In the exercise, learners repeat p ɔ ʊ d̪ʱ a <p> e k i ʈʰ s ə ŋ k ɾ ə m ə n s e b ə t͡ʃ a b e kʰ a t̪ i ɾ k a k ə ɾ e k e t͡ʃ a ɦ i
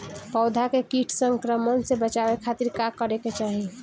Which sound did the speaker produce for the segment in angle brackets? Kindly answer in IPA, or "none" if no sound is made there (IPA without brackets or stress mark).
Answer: k